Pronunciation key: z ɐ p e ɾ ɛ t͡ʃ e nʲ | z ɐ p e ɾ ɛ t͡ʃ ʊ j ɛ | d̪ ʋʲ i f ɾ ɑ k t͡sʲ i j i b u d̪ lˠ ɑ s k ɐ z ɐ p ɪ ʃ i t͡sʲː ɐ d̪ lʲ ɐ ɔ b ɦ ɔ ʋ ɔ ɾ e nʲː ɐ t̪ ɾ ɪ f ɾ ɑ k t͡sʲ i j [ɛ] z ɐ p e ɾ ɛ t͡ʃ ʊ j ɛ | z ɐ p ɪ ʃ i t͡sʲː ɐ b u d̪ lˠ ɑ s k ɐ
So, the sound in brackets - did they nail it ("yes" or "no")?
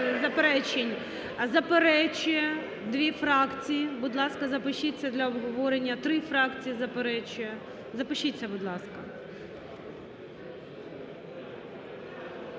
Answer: no